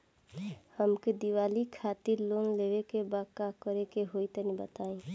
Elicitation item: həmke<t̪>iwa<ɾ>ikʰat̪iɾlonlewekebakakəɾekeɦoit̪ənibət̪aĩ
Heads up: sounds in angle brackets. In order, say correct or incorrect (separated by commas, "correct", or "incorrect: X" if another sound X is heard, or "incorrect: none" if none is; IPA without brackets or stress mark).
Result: incorrect: d̪, incorrect: l